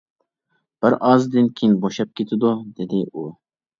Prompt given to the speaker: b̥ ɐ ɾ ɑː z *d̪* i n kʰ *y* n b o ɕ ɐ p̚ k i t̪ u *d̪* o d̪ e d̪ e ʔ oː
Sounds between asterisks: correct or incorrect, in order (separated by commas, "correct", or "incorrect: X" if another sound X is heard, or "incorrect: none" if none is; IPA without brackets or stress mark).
correct, incorrect: i, correct